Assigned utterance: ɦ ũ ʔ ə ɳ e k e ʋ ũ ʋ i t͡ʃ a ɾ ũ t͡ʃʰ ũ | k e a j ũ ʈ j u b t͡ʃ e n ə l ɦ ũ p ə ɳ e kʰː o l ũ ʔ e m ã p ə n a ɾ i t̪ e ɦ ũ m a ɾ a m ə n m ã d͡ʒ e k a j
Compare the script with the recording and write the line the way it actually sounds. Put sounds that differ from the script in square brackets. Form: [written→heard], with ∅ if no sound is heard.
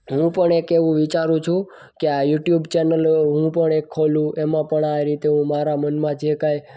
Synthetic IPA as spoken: ɦ ũ [ʔ→p] ə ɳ e k e ʋ ũ ʋ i t͡ʃ a ɾ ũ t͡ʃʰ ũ | k e a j [ũ→u] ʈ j u b t͡ʃ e n ə l ɦ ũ p ə ɳ e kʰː o l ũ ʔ e m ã p ə [n→ɳ] a ɾ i t̪ e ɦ ũ m a ɾ a m ə n m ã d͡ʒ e k a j